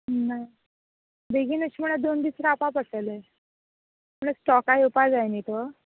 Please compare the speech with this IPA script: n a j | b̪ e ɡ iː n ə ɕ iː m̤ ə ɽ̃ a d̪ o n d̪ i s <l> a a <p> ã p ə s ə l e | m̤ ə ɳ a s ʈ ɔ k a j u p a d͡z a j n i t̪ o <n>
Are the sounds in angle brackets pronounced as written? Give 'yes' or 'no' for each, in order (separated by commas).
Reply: no, yes, no